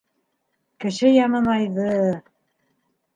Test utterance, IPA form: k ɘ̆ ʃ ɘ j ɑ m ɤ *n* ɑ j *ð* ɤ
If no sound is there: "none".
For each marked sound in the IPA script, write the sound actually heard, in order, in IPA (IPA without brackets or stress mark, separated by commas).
n, ð